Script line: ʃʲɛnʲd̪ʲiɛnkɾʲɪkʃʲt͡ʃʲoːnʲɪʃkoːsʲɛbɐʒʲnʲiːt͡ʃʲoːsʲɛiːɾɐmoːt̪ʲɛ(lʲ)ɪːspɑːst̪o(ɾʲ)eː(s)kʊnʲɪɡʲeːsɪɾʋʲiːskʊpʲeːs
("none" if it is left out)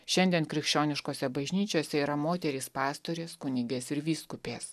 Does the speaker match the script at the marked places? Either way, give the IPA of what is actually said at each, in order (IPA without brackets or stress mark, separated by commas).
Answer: ɾʲ, ɾʲ, s